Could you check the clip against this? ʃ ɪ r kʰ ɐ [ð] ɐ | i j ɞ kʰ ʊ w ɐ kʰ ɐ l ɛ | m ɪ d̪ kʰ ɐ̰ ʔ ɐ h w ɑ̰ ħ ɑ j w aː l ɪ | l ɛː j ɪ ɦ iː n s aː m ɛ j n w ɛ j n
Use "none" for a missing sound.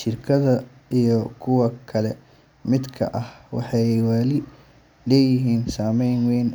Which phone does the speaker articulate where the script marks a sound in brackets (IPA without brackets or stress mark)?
ð